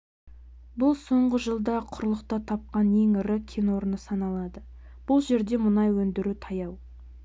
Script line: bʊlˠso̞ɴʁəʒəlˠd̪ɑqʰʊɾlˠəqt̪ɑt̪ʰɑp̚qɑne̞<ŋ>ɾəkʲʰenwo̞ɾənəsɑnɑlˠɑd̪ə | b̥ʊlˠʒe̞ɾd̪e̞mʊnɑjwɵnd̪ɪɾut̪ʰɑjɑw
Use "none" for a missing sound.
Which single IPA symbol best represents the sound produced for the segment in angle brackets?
ŋ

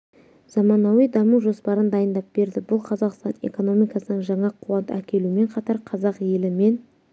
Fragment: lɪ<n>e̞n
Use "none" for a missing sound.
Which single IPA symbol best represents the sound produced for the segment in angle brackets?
m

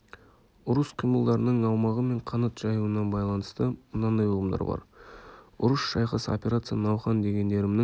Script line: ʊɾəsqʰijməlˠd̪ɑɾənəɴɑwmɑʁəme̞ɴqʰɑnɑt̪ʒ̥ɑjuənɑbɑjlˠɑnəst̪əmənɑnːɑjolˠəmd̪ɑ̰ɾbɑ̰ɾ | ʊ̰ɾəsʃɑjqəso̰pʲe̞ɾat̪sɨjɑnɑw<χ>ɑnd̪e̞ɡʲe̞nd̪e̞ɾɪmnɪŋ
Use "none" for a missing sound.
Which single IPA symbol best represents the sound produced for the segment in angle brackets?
χ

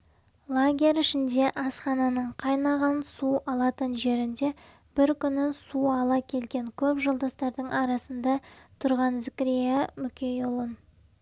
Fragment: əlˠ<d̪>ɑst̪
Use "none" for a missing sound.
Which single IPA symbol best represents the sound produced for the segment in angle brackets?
d̪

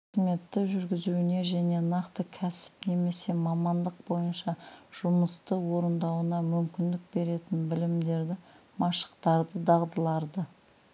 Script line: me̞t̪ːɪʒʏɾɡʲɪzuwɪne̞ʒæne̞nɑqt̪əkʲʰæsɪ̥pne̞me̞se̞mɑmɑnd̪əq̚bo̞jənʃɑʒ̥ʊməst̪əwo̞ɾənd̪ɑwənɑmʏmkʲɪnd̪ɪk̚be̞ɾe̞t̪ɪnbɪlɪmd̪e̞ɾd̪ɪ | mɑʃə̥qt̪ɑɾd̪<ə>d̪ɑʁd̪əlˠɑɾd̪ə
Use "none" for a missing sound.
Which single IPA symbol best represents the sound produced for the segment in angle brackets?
ə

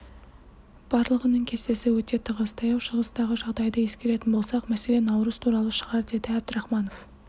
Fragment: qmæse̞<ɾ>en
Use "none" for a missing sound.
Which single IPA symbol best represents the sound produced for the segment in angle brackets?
l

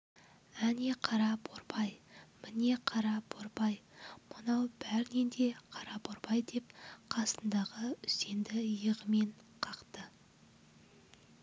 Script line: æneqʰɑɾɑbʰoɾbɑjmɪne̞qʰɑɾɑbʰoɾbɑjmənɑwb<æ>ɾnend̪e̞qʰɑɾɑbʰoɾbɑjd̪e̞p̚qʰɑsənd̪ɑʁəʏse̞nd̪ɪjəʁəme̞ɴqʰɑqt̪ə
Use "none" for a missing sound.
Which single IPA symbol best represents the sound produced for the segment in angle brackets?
æ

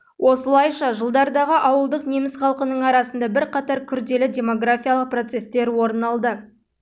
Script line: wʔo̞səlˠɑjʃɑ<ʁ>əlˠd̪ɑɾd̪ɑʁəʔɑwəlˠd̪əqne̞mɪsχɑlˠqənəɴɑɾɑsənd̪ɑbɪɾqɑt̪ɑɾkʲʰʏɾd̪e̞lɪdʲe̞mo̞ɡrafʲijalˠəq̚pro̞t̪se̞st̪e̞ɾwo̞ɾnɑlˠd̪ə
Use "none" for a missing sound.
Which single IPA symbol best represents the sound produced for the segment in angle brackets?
ʒ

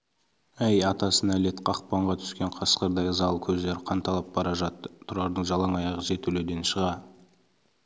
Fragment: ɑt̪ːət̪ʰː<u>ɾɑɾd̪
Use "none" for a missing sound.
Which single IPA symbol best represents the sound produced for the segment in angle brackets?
ʊ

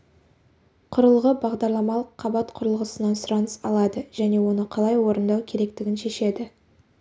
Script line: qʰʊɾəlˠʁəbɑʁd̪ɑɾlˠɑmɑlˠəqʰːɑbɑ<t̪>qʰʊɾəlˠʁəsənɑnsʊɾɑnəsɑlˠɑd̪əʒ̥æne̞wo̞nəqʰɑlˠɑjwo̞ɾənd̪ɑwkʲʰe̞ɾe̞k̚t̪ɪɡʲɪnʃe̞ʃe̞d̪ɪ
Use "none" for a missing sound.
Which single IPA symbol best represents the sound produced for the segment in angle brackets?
t̪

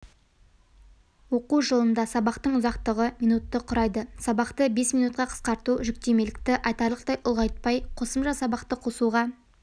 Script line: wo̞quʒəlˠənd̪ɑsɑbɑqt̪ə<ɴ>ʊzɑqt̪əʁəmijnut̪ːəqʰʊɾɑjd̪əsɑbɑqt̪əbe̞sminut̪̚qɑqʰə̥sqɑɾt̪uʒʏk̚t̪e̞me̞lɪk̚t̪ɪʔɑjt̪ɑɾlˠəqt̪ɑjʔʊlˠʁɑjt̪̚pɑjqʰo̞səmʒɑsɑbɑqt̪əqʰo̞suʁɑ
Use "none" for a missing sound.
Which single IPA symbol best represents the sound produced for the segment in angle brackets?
ɴ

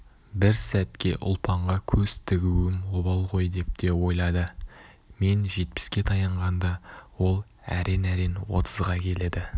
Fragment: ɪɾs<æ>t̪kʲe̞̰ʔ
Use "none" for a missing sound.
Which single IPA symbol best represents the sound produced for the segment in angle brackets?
æ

